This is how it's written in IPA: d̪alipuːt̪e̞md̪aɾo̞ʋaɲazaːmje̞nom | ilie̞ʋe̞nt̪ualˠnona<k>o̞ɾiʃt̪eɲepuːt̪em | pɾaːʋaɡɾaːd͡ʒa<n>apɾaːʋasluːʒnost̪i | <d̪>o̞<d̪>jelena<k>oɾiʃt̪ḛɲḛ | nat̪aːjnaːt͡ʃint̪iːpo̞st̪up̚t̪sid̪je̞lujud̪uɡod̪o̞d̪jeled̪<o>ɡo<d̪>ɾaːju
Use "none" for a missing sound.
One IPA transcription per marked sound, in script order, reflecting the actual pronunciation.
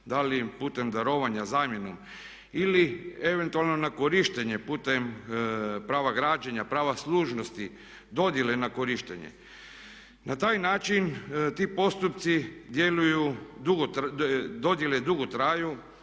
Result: k, ɲ, d̪, d̪, k, u, t̪

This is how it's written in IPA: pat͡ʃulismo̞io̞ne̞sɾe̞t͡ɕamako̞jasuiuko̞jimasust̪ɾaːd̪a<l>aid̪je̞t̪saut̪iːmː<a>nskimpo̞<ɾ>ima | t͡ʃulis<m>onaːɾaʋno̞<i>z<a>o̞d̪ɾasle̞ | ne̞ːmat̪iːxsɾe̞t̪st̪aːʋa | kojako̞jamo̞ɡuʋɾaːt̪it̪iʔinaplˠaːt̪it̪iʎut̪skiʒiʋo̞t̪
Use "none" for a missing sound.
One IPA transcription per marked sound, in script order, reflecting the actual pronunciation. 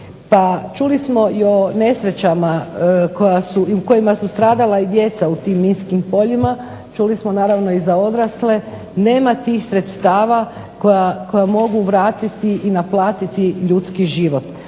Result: l, i, ʎ, m, i, a

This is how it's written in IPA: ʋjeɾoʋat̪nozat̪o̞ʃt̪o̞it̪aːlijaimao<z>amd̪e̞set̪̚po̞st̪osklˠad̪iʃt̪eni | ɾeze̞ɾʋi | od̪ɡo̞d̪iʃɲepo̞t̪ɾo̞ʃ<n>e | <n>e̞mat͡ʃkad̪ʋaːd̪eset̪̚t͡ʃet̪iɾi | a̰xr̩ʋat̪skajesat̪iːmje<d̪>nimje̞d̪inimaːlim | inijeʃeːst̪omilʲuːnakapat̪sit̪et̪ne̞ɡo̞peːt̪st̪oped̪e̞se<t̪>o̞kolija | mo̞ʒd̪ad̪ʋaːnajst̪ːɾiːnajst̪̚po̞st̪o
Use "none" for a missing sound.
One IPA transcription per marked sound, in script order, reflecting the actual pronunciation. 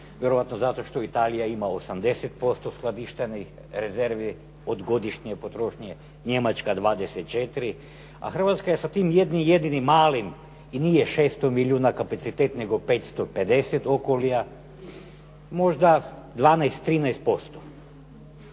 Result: s, ɲ, ɲ, d̪, t̪

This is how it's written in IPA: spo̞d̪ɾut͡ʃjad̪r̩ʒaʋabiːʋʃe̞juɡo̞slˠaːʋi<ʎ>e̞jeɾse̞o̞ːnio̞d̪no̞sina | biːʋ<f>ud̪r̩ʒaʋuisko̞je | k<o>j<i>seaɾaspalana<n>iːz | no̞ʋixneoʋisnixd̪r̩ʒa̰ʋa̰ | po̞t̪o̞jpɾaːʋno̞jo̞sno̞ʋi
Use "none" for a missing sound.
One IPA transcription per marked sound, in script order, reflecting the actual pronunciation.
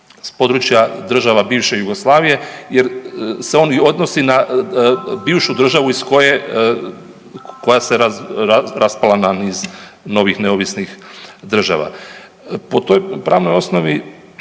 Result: j, ʃ, o, a, n

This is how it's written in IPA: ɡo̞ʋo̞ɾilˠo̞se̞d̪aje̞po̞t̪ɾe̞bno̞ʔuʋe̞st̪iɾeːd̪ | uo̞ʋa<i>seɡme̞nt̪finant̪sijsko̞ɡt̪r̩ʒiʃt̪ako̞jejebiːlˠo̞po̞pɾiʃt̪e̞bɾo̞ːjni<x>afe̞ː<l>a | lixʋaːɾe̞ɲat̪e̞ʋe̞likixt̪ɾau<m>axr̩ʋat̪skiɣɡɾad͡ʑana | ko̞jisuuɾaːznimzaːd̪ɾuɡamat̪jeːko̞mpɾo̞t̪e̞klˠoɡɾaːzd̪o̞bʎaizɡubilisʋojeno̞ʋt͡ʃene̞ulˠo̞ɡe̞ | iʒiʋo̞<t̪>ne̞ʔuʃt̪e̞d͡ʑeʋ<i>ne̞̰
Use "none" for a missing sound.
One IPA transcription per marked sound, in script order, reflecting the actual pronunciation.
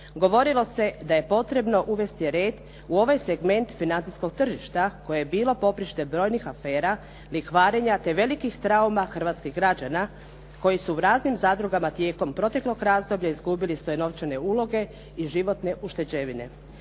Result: j, x, ɾ, m, t̪, i

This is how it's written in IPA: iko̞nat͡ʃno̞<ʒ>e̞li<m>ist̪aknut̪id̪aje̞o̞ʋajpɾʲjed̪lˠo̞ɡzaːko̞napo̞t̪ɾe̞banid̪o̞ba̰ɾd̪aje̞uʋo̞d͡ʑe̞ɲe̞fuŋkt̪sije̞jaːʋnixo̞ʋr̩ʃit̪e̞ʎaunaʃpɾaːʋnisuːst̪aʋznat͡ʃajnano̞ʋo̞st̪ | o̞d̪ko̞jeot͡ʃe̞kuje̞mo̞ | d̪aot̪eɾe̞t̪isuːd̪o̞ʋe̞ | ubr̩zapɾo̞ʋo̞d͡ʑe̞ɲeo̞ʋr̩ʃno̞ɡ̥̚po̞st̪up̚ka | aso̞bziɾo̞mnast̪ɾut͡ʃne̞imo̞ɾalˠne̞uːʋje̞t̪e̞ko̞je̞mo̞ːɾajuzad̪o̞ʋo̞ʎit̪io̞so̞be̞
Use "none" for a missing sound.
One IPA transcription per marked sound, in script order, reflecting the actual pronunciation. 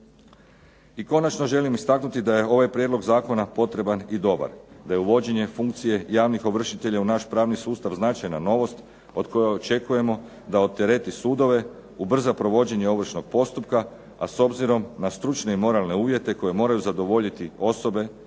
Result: ʒ, m

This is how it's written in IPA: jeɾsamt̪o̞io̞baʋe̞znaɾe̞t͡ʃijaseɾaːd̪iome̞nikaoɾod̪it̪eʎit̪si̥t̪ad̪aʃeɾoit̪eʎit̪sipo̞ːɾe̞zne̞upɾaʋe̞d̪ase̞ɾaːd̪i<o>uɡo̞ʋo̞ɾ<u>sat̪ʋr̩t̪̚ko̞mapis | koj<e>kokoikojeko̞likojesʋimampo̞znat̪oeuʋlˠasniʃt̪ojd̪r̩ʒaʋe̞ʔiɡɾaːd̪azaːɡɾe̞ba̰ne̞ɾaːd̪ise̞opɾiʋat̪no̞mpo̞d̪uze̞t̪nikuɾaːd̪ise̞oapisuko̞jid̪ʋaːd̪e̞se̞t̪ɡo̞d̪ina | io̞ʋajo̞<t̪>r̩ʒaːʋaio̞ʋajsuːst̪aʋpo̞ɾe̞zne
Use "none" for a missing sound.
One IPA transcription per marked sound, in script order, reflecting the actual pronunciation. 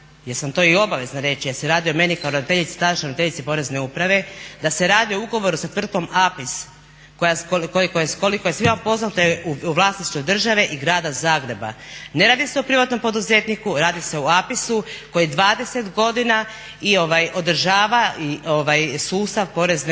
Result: o, u, a, d̪

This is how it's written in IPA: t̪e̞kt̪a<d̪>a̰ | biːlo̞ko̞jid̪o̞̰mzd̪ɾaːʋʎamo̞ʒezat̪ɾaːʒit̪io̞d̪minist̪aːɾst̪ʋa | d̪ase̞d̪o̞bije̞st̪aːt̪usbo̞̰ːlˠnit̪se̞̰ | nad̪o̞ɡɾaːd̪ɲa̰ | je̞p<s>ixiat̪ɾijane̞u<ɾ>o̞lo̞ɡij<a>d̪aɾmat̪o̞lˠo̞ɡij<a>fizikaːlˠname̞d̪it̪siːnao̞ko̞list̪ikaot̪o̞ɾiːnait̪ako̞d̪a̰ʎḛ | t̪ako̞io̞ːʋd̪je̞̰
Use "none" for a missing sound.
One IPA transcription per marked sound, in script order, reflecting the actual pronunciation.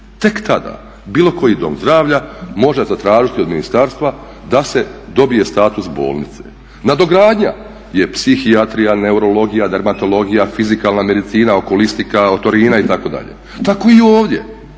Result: d̪, s, ɾ, a, a

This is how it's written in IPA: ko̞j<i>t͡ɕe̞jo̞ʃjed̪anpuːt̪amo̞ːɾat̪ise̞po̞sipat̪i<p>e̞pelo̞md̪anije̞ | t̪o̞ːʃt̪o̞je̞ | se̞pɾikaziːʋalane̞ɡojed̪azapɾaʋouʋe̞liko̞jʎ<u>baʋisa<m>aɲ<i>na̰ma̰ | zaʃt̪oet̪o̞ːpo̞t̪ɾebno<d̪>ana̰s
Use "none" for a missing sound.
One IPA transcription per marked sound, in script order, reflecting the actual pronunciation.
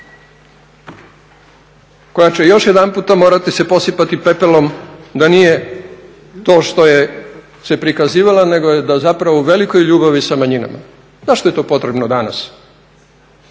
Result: a, p, uː, m, i, d̪

